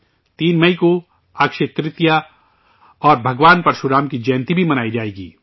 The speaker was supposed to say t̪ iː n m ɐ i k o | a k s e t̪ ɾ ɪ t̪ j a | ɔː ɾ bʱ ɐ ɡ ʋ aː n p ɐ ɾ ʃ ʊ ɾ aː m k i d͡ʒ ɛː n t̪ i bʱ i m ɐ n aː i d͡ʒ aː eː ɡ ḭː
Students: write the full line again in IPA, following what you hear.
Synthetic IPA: t̪ iː n m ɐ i k o | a k ʃ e t̪ ɾ ɪ t̪ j a | ɔː ɾ bʱ ɐ ɡ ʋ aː n p ɐ ɾ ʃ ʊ ɾ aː m k i d͡ʒ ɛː n t̪ i bʱ i m ɐ n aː i d͡ʒ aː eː ɡ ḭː